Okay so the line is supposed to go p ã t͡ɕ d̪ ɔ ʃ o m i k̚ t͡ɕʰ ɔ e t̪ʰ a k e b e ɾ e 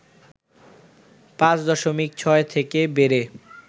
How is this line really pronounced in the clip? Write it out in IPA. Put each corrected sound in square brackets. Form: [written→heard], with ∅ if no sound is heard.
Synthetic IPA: p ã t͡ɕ d̪ ɔ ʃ o m i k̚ t͡ɕʰ ɔ e t̪ʰ [a→e] k e b e ɾ e